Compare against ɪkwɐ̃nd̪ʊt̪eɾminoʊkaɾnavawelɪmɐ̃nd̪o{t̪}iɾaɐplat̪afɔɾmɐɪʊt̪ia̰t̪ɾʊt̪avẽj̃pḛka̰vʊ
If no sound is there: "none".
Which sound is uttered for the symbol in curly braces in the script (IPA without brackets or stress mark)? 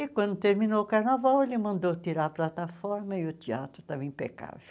t̪